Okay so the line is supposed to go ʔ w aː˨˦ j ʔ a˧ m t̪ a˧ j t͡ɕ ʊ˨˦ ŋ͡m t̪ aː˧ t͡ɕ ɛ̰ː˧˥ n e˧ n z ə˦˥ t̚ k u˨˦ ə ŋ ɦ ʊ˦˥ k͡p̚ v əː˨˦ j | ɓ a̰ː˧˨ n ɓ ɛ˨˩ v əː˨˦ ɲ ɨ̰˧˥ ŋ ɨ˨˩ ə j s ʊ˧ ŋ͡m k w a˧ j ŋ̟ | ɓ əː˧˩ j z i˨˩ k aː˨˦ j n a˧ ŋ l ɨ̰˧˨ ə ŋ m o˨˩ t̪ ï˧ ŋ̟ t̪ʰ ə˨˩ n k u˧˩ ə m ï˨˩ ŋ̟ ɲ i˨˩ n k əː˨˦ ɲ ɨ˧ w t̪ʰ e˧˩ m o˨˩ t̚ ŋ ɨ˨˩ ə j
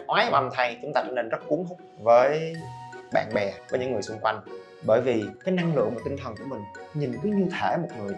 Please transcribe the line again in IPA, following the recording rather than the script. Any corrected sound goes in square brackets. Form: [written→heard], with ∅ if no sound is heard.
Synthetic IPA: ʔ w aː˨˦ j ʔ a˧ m [t̪→t̪ʰ] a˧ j t͡ɕ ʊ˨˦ ŋ͡m t̪ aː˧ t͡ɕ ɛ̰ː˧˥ n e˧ n z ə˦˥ t̚ k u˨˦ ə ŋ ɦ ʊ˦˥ k͡p̚ v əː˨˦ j | ɓ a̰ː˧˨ n ɓ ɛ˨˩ v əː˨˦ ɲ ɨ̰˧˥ ŋ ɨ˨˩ ə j s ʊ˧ ŋ͡m k w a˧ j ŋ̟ | ɓ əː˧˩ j [z→v] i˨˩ k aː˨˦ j n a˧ ŋ l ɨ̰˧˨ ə ŋ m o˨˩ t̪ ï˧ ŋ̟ t̪ʰ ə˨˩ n k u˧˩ ə m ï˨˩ ŋ̟ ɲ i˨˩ n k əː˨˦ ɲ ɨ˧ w t̪ʰ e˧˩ m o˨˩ t̚ ŋ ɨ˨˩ ə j